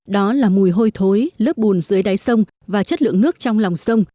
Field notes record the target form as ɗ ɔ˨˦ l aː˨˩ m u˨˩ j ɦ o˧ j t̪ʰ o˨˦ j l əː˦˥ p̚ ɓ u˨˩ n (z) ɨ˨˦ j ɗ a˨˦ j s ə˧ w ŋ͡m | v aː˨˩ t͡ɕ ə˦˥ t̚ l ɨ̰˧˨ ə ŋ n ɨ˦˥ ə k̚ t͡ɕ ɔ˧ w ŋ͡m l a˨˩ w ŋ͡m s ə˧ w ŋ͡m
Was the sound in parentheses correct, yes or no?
yes